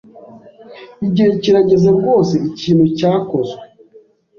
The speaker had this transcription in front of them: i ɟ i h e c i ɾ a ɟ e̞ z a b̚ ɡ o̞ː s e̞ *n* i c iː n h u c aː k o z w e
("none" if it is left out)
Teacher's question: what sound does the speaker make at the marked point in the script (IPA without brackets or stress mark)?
none